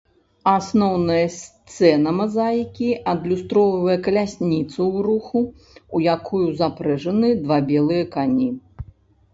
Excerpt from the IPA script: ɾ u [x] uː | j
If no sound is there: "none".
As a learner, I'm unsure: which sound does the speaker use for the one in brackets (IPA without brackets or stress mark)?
x